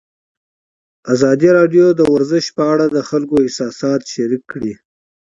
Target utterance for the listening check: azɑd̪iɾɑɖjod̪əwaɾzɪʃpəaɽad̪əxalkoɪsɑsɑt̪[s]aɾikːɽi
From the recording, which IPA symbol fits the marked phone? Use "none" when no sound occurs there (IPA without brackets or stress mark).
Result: ʃ